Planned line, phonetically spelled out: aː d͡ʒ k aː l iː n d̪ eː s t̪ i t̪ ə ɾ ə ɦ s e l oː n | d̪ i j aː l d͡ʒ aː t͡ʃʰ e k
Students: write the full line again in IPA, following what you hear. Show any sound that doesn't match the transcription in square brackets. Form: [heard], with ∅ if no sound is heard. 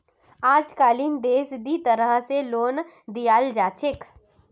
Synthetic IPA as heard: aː d͡ʒ k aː l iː n d̪ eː s [d̪] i t̪ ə ɾ ə ɦ s e l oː n | d̪ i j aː l d͡ʒ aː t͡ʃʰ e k